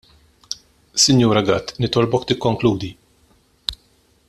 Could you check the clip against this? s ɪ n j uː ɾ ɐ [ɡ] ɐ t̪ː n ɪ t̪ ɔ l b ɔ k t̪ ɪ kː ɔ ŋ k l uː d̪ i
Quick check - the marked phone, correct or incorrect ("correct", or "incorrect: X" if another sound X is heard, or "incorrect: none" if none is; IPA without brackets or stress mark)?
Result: correct